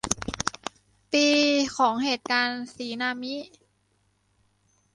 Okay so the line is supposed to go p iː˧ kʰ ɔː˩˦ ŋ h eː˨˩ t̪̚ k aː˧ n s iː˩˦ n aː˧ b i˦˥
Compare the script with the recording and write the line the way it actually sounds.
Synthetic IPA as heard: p iː˧ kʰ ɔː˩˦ ŋ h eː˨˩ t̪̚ k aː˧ n s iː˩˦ n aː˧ m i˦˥